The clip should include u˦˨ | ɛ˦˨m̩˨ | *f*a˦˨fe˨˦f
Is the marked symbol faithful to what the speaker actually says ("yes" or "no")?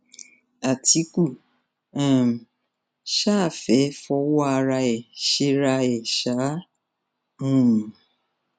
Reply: no